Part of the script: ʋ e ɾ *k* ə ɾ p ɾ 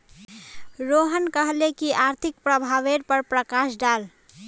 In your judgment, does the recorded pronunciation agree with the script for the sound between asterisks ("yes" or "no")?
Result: no